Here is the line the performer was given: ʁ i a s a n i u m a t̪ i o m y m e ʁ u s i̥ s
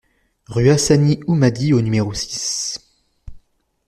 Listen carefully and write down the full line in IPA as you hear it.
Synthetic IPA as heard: ʁ y a s a n i u m a d̪ i o n y m e ʁ o s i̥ s